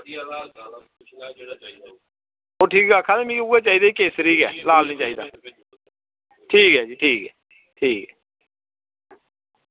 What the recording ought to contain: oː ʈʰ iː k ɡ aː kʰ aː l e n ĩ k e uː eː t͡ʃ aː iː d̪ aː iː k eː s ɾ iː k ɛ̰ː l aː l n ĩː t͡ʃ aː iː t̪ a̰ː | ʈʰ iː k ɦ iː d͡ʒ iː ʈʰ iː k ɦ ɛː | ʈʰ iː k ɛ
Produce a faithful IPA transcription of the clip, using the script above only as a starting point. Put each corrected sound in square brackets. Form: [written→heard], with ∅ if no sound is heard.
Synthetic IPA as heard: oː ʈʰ iː k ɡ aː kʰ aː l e [n→m] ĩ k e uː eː t͡ʃ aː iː d̪ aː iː k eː s ɾ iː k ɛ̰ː l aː l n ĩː t͡ʃ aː iː [t̪→d̪] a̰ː | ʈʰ iː k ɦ [iː→ɛː] d͡ʒ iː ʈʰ iː k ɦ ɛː | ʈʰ iː k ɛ